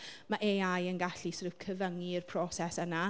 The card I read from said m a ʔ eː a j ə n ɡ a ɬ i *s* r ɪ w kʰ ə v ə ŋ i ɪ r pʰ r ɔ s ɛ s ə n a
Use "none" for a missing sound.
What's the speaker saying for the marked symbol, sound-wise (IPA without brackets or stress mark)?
s